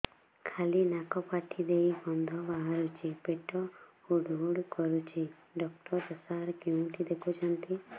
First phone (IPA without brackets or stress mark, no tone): kʰ